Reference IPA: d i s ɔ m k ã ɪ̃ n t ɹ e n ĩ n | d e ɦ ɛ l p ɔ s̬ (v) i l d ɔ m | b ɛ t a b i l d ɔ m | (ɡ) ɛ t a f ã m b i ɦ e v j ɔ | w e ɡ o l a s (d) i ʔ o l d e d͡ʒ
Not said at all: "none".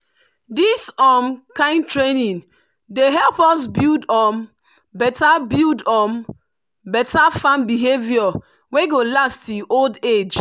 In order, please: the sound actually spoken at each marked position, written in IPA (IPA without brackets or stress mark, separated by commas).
b, b, t